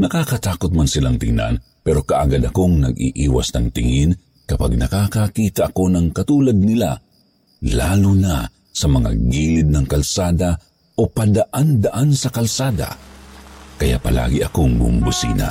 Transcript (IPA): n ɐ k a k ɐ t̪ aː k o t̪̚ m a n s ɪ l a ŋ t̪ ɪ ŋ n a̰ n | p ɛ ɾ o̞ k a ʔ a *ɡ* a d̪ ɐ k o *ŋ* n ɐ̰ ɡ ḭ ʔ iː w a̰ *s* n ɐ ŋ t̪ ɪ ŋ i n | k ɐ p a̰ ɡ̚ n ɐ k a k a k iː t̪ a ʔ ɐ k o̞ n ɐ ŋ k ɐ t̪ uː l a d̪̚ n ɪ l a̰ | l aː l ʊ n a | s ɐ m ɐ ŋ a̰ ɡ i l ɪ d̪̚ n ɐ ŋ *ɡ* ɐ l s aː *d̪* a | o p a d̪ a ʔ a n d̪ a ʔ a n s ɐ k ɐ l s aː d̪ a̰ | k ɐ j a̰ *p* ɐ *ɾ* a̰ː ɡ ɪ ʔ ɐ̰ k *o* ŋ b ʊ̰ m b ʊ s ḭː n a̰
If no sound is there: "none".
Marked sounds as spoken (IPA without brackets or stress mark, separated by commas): ɡ, ŋ, s, k, d̪, p, l, o